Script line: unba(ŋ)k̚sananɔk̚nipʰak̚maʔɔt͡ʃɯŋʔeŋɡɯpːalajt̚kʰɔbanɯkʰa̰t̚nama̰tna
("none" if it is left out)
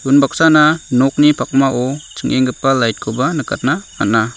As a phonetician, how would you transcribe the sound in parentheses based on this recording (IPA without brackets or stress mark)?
none